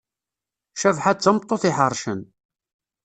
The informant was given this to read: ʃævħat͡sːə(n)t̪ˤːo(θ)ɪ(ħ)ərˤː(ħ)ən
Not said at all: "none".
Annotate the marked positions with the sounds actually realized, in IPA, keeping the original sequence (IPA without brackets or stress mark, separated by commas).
m, θ, ħ, ʃ